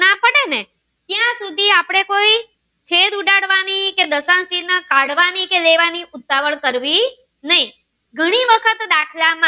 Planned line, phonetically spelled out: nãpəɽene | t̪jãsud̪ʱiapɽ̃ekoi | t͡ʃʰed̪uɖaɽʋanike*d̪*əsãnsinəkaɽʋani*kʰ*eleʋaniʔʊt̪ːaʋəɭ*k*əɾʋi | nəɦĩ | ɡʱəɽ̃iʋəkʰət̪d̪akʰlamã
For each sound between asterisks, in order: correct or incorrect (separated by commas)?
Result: correct, incorrect, correct